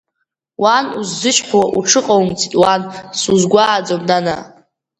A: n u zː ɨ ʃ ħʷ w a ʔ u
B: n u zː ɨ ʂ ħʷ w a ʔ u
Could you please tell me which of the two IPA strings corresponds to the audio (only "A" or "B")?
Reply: A